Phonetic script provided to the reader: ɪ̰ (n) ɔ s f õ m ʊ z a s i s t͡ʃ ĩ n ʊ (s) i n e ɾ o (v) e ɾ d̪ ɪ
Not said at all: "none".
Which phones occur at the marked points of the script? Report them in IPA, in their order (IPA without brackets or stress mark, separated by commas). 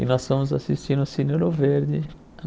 n, s, v